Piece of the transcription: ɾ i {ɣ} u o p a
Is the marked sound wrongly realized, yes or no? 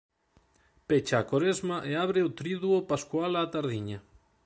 yes